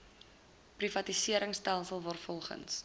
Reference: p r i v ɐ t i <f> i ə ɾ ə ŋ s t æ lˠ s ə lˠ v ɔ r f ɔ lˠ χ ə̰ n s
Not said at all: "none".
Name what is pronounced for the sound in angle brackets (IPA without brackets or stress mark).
s